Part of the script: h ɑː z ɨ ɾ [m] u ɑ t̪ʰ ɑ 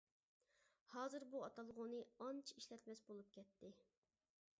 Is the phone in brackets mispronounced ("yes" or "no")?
yes